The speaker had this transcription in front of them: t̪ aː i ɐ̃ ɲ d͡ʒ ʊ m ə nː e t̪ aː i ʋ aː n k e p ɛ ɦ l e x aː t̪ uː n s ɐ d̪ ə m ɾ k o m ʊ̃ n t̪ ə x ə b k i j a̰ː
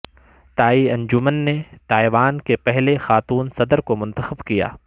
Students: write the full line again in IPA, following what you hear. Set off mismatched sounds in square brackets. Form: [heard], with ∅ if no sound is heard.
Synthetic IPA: t̪ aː i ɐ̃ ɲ d͡ʒ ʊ m ə nː e t̪ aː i ʋ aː n k e p ɛ ɦ l e x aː t̪ uː n s ɐ d̪ ə [∅] ɾ k o m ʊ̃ n t̪ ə x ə b k i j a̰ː